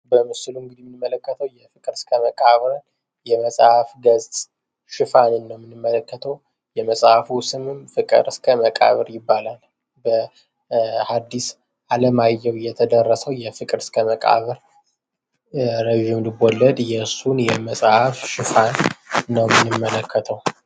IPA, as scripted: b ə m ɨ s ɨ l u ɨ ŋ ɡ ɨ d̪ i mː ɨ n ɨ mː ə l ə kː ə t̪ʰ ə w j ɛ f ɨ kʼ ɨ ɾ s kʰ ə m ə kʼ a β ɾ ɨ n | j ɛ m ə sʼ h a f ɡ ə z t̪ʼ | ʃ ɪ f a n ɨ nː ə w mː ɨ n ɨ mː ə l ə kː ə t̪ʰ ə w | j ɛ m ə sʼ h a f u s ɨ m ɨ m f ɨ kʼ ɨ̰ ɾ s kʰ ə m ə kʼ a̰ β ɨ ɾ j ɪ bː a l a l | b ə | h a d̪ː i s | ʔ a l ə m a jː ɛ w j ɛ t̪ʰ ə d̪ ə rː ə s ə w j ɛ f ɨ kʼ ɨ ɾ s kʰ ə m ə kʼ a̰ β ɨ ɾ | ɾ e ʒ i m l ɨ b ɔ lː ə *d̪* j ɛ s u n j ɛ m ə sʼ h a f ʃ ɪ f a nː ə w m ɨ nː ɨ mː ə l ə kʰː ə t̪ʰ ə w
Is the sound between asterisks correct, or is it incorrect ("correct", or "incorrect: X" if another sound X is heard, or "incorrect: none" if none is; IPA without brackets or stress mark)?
correct